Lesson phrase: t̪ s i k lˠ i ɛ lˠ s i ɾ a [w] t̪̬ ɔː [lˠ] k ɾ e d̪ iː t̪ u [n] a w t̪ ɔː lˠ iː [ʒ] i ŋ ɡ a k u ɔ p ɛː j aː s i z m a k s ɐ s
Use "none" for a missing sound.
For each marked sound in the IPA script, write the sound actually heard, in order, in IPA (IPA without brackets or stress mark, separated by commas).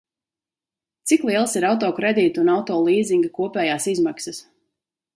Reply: w, none, n, z